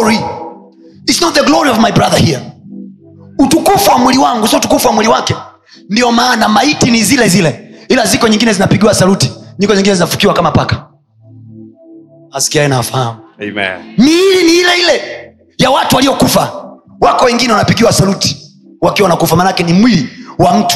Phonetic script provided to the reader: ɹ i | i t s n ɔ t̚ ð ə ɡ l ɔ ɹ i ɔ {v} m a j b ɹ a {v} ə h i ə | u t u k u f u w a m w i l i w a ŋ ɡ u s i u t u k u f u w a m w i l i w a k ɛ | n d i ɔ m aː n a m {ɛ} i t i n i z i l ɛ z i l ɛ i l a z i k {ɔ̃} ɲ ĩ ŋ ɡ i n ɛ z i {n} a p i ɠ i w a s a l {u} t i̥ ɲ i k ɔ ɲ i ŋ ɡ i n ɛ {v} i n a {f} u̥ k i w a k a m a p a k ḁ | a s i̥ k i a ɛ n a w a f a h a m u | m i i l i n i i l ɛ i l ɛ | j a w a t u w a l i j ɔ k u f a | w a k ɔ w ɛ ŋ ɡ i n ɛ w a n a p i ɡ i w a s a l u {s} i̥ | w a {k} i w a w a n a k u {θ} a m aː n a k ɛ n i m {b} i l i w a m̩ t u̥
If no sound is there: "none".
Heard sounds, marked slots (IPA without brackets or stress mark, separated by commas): v, ð, a, ɔ, n, u, z, f, t, k, f, w